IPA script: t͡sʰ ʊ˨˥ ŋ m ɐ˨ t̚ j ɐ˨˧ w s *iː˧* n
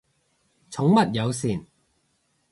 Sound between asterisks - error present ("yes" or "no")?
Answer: yes